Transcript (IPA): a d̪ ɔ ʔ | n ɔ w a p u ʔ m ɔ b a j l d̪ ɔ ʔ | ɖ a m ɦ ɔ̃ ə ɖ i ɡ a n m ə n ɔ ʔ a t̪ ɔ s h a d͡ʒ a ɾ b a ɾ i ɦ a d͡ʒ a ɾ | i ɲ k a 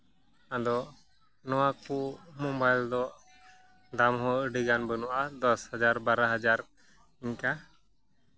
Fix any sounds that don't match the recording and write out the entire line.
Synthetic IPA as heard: a d̪ ɔ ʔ | n ɔ w a k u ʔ m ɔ b a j l d̪ ɔ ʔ | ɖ a m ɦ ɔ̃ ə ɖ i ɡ a n b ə n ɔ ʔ a d̪ ɔ s h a d͡ʒ a ɾ b a ɾ a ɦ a d͡ʒ a ɾ | i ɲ k a